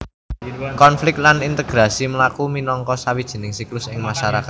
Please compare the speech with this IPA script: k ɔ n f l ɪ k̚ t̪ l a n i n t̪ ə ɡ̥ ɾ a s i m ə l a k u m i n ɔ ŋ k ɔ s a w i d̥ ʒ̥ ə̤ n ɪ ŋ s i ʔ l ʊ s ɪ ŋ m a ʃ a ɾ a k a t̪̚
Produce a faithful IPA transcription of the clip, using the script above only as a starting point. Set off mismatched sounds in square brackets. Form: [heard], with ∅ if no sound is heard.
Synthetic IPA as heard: k ɔ n f l ɪ k̚ t̪ l a n i n t̪ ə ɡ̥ ɾ a s i m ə l a k u m i n ɔ ŋ k ɔ s a w i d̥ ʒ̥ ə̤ n ɪ ŋ s i [k] l ʊ s ɪ ŋ m a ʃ a ɾ a k a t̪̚